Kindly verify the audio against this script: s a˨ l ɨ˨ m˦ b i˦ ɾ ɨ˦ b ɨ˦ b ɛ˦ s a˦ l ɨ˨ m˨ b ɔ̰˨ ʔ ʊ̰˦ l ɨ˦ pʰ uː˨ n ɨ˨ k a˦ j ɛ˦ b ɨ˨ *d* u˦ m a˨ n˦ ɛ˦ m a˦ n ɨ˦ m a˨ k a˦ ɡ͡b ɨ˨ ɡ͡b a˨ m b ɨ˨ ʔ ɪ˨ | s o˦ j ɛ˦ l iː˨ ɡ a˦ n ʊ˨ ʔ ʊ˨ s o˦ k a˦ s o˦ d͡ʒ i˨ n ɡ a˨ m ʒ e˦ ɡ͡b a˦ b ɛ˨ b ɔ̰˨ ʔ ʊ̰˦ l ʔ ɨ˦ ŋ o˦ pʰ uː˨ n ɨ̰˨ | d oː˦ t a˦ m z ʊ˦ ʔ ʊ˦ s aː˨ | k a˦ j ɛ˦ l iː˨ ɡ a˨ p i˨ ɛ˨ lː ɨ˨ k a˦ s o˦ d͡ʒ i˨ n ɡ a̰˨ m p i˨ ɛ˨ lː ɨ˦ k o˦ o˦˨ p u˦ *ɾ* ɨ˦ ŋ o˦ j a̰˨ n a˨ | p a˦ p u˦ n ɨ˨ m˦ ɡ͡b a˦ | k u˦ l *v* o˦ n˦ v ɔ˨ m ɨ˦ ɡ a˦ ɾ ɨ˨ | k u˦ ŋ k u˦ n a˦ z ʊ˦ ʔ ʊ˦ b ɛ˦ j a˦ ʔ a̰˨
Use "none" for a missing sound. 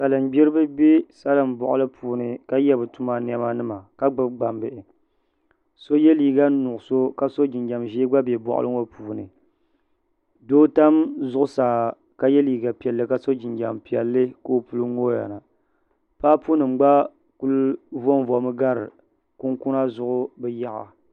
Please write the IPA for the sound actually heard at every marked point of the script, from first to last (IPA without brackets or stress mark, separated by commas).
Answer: t, l, v